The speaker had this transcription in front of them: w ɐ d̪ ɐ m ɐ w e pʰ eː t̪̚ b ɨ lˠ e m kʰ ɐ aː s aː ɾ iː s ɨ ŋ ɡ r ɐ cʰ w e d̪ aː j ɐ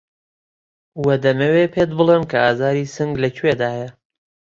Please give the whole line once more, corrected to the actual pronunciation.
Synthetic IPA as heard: w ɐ d̪ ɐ m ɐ w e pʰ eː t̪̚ b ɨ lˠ e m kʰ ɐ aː z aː ɾ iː s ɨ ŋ ɡ l ɐ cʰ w e d̪ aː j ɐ